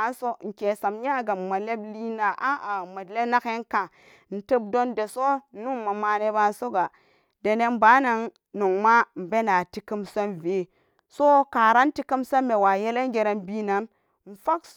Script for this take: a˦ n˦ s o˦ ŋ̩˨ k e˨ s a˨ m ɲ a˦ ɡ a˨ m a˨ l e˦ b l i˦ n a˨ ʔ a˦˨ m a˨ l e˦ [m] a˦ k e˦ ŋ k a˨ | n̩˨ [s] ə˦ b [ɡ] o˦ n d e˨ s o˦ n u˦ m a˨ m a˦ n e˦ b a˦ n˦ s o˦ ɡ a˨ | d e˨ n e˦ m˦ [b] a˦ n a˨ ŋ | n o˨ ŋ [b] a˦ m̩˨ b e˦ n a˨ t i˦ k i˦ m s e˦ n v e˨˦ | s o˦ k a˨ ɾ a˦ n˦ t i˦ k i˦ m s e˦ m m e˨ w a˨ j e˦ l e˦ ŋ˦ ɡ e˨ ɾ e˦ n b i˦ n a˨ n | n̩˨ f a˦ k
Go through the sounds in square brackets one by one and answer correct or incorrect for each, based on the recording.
incorrect, incorrect, incorrect, correct, incorrect

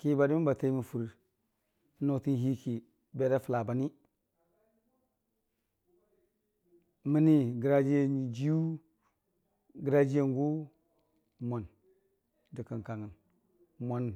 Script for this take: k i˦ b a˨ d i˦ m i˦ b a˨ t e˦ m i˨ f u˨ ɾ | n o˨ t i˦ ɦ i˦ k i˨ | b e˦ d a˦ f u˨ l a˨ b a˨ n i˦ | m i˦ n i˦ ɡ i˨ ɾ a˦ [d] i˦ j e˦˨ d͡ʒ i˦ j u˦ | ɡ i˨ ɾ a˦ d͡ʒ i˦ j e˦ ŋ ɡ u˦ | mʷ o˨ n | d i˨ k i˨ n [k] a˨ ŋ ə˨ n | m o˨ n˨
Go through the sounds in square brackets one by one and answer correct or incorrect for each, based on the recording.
incorrect, correct

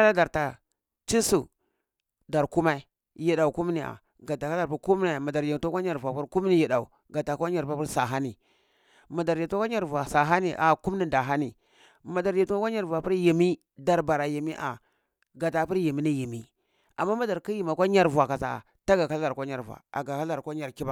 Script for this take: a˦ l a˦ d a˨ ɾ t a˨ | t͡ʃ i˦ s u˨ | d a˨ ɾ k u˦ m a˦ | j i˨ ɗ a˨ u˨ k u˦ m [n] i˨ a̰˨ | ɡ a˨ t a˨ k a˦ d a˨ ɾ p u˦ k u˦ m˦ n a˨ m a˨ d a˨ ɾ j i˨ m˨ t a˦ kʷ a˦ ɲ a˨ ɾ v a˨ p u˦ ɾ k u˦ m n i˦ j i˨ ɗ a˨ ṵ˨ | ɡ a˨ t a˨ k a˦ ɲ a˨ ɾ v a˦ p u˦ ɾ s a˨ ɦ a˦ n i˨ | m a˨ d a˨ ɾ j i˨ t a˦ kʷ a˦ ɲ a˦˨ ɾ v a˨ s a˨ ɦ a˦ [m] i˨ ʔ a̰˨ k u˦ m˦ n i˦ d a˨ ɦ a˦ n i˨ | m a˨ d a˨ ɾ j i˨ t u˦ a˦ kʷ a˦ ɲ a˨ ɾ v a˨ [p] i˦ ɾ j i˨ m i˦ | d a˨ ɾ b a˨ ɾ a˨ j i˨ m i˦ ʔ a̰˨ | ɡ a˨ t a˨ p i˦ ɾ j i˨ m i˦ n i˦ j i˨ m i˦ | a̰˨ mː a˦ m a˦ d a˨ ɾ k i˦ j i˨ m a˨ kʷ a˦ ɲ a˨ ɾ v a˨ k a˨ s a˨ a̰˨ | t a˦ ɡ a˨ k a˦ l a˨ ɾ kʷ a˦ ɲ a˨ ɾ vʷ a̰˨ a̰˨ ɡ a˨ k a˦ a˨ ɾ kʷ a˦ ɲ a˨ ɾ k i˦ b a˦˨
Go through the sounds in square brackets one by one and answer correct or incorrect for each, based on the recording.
correct, incorrect, correct

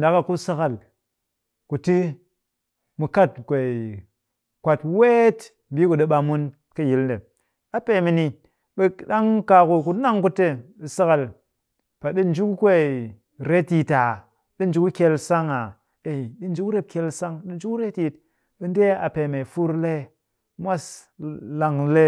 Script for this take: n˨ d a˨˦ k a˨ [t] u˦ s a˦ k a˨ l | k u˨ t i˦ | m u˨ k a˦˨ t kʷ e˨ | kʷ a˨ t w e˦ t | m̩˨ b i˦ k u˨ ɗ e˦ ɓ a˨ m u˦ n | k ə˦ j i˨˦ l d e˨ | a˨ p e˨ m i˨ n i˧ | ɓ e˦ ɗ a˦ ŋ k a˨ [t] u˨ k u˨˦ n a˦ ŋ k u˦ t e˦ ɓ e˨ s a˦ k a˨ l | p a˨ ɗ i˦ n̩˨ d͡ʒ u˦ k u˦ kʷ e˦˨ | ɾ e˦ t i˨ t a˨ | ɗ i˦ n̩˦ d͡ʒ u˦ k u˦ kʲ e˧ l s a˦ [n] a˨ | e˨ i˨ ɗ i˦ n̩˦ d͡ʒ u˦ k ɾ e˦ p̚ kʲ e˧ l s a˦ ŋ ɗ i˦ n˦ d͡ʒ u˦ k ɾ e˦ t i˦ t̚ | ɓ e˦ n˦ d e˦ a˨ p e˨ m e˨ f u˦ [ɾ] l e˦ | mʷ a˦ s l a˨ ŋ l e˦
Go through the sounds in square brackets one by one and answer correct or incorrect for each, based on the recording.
incorrect, incorrect, incorrect, correct

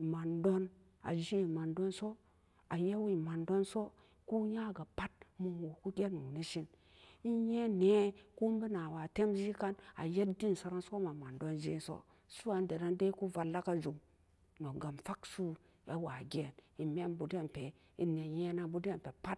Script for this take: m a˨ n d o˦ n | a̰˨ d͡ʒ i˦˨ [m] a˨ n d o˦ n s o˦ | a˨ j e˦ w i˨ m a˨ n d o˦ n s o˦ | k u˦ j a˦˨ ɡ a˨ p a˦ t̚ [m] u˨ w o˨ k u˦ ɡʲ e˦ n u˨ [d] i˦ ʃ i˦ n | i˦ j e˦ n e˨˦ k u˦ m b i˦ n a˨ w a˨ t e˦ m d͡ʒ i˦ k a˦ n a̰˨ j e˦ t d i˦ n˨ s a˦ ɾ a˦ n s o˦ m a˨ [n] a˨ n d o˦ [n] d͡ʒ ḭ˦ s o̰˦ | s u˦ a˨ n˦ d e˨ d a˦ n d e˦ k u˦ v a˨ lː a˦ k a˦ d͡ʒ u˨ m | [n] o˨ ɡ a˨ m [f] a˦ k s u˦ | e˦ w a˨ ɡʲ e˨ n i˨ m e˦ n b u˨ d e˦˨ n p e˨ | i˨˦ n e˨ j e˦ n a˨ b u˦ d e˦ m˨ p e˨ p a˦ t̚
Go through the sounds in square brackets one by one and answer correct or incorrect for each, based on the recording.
correct, correct, incorrect, incorrect, correct, correct, correct

